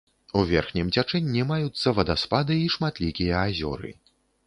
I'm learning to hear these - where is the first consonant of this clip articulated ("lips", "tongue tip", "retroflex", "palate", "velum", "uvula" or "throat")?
lips